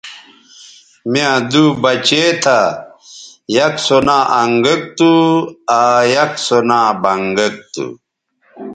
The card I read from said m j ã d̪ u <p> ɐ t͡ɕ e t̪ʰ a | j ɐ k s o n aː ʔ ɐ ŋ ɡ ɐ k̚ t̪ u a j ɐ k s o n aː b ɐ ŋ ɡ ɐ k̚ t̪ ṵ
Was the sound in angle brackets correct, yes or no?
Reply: no